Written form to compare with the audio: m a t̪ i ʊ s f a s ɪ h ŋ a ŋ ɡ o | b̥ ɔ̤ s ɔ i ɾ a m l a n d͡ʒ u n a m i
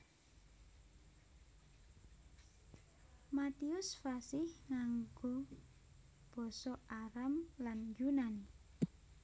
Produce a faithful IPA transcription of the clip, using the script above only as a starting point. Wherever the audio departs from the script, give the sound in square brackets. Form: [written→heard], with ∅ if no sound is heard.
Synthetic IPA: m a t̪ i ʊ s f a s ɪ h ŋ a ŋ ɡ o | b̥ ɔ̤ s ɔ [i→a] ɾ a m l a n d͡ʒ u n a [m→n] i